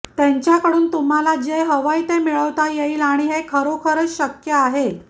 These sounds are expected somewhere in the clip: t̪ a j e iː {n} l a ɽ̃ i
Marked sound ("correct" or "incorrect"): incorrect